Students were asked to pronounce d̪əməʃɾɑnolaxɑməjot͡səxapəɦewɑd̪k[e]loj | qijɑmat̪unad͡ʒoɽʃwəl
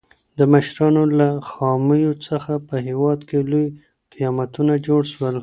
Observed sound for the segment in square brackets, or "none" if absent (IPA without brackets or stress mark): e